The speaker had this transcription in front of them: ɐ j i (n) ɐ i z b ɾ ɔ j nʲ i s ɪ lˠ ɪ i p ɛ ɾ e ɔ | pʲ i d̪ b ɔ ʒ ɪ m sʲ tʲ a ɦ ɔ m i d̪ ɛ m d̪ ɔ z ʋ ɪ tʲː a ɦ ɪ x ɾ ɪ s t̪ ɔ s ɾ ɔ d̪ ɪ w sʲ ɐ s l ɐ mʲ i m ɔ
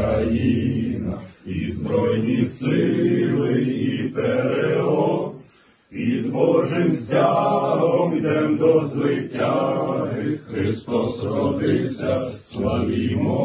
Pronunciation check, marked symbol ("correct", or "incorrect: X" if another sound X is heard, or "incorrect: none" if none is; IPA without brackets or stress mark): correct